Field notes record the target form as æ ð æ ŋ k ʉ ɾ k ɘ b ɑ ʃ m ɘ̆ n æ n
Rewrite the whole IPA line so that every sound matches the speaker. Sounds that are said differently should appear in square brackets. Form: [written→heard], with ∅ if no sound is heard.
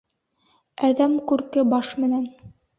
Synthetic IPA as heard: æ ð æ [ŋ→m] k ʉ ɾ k ɘ b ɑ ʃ m ɘ̆ n æ n